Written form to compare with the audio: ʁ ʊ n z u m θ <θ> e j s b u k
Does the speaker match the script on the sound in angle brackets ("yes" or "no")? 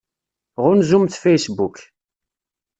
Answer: no